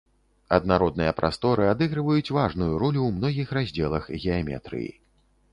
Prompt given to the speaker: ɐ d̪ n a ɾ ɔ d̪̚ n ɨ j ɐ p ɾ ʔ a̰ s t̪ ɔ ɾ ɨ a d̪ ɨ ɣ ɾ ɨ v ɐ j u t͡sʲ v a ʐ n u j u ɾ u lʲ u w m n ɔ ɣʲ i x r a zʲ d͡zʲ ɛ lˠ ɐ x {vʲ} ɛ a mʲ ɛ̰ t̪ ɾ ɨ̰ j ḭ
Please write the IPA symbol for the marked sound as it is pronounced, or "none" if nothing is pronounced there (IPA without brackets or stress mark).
ɣʲ